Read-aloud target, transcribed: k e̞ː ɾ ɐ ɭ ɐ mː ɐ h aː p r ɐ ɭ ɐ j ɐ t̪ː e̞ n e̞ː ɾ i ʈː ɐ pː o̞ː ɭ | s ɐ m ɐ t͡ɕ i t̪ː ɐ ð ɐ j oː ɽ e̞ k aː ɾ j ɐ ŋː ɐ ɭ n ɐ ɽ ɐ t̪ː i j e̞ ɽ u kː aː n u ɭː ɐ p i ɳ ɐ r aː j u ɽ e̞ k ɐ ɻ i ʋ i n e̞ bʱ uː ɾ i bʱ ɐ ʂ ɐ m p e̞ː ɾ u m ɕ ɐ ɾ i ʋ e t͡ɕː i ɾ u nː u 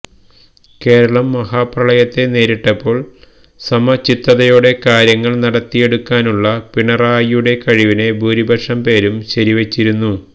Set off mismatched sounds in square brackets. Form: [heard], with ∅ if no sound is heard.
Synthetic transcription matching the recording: k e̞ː ɾ ɐ ɭ ɐ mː ɐ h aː p r ɐ ɭ ɐ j ɐ t̪ː e̞ n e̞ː ɾ i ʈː ɐ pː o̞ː ɭ | s ɐ m ɐ t͡ɕ i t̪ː ɐ ð ɐ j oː ɽ e̞ k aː ɾ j ɐ ŋː ɐ ɭ n ɐ ɽ ɐ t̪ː i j e̞ ɽ u kː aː n u ɭː ɐ p i ɳ ɐ r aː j u ɽ e̞ k ɐ ɻ i ʋ i n e̞ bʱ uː ɾ i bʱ ɐ ʂ ɐ m p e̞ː ɾ u m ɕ ɐ ɾ i ʋ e t͡ɕː i ɾ u nː u